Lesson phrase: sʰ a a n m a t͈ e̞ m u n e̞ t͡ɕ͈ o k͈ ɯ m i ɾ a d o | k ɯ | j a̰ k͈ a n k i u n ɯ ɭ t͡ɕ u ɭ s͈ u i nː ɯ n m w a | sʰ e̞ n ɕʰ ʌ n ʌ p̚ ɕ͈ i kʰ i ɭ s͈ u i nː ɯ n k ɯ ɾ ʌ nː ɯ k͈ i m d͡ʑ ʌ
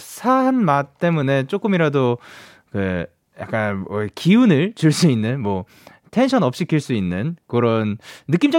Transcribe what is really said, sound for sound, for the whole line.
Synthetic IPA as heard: sʰ a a n m a t͈ e̞ m u n e̞ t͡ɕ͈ o k͈ ɯ m i ɾ a d o | k ɯ | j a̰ k͈ a n k i u n ɯ ɭ t͡ɕ u ɭ s͈ u i nː ɯ n m w ʌ | tʰ e̞ n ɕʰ ʌ n ʌ p̚ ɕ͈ i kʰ i ɭ s͈ u i nː ɯ n k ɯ ɾ ʌ nː ɯ k͈ i m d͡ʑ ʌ